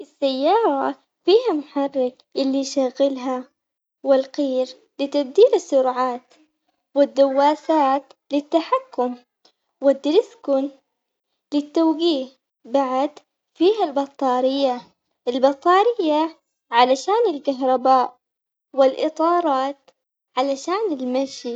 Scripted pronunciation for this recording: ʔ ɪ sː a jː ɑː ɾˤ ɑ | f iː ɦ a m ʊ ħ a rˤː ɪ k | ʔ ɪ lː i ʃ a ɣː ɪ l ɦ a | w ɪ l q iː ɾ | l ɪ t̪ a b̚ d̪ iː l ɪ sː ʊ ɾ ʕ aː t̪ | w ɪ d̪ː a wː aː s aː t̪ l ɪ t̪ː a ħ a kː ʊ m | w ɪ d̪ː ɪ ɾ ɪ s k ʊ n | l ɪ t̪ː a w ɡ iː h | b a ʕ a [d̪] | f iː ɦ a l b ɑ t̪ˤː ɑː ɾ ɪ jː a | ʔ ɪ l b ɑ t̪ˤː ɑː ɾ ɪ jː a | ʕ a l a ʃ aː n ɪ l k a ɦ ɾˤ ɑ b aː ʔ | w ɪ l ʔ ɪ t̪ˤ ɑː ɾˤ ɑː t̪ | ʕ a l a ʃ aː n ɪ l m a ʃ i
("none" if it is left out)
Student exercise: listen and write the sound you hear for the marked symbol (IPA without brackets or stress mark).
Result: d̪